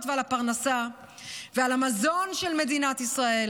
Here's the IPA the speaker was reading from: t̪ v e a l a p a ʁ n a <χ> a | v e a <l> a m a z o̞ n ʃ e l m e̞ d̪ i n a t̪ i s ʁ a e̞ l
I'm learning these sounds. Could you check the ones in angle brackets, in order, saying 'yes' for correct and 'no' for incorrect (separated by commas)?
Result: no, yes